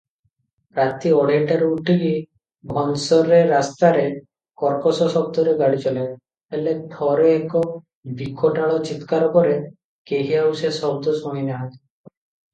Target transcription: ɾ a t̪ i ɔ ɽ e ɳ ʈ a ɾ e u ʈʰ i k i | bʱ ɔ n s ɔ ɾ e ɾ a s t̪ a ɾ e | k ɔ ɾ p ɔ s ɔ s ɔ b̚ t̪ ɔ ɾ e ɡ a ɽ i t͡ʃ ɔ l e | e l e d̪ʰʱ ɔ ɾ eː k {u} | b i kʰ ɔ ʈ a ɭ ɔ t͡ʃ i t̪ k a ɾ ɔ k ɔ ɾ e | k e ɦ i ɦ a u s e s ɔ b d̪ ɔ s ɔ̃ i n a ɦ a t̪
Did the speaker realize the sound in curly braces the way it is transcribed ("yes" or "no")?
no